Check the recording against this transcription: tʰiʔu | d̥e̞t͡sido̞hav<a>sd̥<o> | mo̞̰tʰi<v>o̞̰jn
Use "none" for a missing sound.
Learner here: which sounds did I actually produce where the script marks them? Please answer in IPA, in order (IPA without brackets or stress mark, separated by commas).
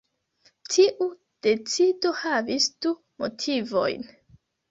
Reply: i, u, v